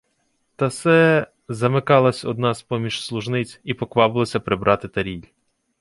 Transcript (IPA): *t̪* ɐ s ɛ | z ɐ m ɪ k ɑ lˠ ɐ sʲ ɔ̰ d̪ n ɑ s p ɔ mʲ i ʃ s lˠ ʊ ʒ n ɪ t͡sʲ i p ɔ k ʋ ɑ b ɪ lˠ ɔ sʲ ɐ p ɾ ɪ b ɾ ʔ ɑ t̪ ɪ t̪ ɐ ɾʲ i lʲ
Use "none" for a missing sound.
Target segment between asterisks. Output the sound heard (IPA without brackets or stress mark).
t̪